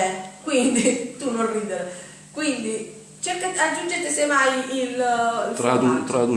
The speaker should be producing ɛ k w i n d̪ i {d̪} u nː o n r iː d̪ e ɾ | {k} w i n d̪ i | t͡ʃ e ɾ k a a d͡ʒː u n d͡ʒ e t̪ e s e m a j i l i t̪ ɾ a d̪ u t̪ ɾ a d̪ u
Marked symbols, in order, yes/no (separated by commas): no, yes